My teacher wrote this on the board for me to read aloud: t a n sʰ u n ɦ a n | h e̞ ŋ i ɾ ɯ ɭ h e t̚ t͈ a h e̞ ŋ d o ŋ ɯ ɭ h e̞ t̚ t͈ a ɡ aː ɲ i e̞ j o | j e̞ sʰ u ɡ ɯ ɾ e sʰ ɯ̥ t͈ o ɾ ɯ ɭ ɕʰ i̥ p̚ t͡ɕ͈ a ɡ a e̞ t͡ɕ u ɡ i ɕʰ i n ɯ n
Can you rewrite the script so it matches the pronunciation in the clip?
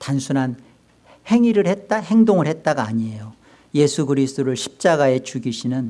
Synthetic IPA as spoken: t a n sʰ u n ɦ a n | h e̞ ŋ i ɾ ɯ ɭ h e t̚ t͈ a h e̞ ŋ d o ŋ ɯ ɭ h e̞ t̚ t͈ a ɡ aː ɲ i e̞ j o | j e̞ sʰ u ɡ ɯ ɾ i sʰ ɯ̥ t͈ o ɾ ɯ ɭ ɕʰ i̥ p̚ t͡ɕ͈ a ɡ a e̞ t͡ɕ u ɡ i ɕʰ i n ɯ n